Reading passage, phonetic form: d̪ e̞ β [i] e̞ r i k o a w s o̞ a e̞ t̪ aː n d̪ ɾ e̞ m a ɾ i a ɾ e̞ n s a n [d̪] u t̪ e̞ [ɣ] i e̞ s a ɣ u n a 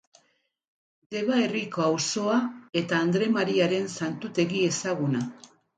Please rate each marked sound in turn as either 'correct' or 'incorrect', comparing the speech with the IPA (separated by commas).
incorrect, incorrect, correct